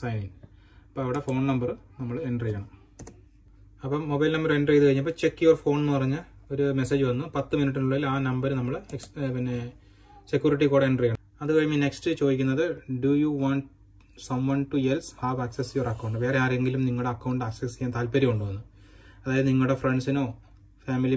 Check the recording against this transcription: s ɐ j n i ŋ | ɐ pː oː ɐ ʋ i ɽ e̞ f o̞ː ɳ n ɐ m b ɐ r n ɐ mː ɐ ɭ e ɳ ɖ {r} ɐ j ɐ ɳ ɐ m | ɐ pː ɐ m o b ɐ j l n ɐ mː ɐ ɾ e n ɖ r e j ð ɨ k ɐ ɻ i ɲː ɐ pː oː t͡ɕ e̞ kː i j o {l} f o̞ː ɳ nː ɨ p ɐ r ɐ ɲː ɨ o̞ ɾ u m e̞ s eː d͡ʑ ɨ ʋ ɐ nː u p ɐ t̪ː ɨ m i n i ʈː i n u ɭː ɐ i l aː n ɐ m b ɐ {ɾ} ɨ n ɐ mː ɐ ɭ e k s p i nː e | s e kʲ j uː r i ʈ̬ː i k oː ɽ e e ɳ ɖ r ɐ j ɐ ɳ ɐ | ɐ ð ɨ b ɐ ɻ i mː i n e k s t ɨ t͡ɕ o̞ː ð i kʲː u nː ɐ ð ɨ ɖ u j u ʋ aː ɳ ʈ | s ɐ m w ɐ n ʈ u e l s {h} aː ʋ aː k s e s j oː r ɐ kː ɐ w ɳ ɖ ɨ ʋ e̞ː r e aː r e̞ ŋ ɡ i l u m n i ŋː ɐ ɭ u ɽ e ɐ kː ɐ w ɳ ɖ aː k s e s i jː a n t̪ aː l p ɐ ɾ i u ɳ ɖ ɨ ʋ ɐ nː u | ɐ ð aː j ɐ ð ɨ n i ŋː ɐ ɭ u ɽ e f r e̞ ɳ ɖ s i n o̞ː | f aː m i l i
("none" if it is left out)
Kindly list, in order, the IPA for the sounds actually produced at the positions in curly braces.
r, r, ɾ, h

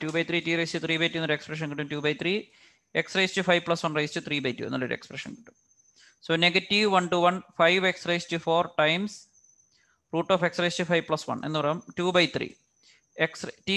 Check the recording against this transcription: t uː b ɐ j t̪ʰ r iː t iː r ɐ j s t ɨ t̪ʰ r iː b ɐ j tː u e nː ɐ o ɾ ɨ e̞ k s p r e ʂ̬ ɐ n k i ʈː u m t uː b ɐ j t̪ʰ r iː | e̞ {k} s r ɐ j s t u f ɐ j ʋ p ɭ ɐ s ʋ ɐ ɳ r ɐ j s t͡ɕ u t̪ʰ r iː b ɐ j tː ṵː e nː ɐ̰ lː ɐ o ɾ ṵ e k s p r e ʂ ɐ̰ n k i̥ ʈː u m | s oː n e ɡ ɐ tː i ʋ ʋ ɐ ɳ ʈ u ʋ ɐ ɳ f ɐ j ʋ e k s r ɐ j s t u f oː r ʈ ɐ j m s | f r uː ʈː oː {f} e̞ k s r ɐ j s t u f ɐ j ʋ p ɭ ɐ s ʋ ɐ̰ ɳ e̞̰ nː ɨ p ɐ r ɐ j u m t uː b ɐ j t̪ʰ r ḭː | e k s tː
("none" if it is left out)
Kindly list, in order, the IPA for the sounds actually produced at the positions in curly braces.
k, f

